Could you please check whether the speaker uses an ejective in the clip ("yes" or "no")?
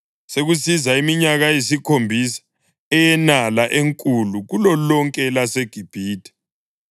yes